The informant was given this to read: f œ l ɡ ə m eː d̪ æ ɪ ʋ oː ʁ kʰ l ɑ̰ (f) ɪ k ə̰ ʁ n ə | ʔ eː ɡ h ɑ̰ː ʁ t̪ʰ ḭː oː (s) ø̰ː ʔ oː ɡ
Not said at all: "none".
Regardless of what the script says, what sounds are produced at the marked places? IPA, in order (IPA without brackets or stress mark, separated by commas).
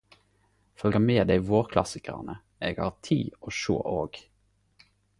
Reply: s, ʃ